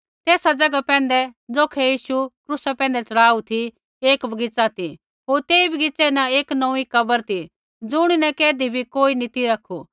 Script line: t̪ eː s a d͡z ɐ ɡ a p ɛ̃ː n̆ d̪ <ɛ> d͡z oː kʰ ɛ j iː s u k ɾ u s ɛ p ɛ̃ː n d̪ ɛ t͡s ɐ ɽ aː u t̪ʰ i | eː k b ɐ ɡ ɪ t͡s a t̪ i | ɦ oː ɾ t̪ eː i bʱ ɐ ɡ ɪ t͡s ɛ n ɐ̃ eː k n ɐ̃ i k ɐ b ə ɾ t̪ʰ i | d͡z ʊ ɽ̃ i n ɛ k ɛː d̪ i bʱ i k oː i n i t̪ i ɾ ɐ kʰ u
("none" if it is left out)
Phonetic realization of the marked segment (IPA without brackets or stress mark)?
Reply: ɛ